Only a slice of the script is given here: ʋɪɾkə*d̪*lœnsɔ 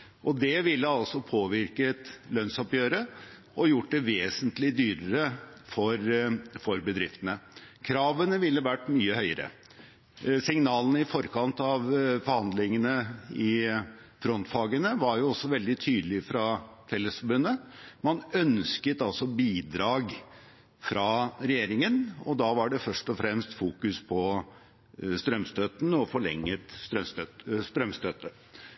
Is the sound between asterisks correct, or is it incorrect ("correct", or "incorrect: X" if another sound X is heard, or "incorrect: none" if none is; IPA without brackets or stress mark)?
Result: incorrect: t̪